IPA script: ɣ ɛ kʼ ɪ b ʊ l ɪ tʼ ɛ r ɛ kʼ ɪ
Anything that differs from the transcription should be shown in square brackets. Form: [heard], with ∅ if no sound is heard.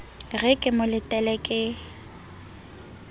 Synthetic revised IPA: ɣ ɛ kʼ ɪ [m] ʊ l ɪ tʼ ɛ [l] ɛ kʼ ɪ